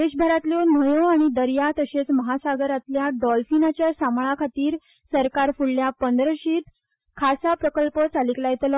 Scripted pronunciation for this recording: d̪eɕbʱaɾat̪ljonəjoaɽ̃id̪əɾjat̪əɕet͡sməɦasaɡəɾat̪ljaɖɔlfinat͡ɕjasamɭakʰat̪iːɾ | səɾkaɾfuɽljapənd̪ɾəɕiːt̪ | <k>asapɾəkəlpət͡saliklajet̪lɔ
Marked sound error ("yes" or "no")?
yes